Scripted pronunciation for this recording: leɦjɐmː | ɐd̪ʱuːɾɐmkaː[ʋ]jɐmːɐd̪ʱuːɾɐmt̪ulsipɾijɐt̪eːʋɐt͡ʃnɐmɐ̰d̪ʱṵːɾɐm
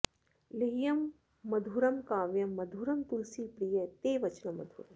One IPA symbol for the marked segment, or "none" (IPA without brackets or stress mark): ʋ